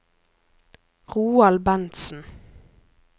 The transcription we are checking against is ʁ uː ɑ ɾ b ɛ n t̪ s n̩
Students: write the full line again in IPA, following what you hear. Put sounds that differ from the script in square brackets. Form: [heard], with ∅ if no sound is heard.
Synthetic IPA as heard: ʁ uː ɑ [l] b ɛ n t̪ s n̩